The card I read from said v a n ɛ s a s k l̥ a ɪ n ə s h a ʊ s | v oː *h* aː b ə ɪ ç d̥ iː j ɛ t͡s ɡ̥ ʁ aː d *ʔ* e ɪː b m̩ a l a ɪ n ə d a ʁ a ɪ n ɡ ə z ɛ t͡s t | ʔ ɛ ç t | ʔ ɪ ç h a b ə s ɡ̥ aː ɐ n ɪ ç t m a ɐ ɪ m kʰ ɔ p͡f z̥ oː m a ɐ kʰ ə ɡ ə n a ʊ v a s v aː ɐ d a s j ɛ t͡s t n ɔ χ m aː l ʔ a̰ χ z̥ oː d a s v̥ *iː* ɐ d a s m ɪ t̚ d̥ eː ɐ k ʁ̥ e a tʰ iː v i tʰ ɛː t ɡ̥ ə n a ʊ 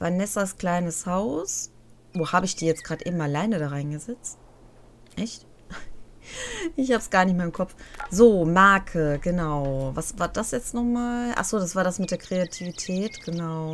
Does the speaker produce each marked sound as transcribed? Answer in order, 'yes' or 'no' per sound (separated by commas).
yes, yes, no